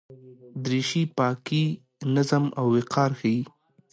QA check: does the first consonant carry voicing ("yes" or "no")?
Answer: yes